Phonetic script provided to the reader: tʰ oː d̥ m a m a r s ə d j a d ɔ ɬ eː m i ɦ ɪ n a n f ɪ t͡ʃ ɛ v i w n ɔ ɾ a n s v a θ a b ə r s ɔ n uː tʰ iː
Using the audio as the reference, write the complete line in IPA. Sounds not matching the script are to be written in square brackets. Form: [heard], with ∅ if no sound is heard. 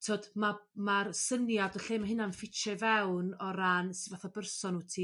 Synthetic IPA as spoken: tʰ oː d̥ m a m a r s ə [n] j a d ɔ ɬ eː m [a] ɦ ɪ n a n f ɪ t͡ʃ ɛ v [ɛ] w n ɔ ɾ a n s v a θ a b ə r s ɔ n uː tʰ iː